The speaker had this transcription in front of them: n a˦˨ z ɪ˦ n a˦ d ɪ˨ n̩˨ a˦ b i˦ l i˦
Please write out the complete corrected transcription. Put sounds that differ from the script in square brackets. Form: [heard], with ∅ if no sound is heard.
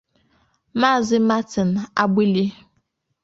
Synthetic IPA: [m] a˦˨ z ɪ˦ [m] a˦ [t] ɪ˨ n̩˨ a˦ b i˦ l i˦